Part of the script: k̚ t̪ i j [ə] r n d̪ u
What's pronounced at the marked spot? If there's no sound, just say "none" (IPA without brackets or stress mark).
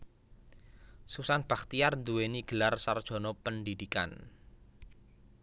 a